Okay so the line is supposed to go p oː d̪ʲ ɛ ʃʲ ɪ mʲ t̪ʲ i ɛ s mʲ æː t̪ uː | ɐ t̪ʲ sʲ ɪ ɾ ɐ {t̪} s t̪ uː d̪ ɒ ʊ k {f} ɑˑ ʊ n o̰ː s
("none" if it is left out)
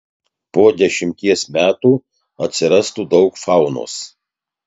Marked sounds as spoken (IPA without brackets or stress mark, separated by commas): none, f